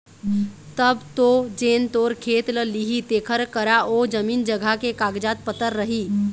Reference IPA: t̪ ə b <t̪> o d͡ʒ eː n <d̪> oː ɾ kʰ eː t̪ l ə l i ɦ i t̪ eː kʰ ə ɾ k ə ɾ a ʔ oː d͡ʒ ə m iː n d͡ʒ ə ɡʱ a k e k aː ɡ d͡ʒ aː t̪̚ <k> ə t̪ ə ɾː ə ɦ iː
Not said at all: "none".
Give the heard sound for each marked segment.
t̪, t̪, p

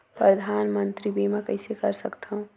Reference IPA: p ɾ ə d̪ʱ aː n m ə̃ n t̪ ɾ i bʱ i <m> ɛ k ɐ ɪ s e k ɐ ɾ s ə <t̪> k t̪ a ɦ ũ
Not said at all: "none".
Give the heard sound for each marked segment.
m, none

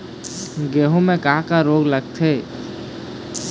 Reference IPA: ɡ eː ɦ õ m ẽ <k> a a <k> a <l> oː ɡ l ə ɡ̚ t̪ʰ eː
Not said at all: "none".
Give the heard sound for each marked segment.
k, k, ɾ

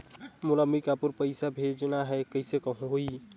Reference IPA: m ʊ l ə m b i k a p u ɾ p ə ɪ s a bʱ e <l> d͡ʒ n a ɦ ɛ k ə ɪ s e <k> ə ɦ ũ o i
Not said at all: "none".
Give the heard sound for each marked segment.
none, k

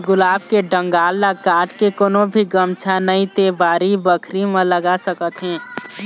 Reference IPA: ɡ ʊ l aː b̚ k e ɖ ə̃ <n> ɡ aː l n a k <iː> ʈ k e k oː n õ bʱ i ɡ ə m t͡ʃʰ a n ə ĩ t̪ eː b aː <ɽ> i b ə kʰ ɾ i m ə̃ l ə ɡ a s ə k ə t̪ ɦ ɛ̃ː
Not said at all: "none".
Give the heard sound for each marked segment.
ŋ, aː, ɾ

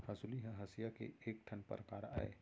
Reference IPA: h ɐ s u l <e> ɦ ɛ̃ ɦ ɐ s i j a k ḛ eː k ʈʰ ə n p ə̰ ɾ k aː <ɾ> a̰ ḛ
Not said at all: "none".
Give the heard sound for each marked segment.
i, ɾ

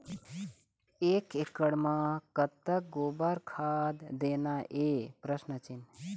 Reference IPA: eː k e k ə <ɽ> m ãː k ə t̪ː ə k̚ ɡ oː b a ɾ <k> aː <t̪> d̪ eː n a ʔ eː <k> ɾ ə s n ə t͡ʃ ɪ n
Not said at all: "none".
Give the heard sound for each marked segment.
ɽ, kʰ, d̪, p

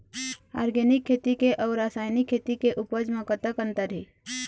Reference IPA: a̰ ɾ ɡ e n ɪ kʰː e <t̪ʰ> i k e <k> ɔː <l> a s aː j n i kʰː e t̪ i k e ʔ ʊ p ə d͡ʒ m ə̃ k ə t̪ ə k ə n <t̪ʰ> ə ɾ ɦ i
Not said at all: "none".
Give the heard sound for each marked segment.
t̪, ʔ, ɾ, t̪

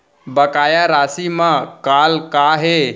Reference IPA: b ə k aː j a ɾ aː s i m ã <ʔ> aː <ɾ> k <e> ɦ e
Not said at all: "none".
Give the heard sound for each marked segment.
k, l, a

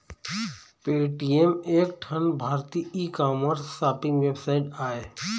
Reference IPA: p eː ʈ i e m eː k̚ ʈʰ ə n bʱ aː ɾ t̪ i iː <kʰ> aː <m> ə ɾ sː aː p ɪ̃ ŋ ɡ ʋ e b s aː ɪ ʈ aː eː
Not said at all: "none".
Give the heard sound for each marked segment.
k, m

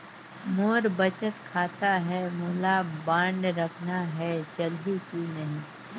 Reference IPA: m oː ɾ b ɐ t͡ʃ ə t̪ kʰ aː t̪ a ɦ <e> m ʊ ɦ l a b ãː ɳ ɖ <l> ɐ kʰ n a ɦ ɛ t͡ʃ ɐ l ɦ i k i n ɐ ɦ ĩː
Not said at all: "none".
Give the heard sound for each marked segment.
ɛ, ɾ

